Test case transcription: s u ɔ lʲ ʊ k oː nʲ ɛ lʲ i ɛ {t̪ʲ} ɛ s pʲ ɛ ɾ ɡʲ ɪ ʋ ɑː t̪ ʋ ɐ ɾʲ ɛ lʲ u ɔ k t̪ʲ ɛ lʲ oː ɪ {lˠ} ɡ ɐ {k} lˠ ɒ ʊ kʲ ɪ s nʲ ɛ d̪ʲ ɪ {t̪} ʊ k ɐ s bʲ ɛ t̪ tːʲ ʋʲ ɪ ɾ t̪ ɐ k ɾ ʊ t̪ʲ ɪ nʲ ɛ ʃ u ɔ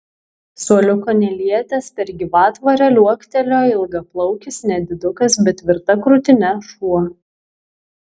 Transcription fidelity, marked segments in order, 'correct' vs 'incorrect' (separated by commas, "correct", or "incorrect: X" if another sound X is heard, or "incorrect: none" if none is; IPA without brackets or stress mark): correct, correct, incorrect: p, incorrect: d̪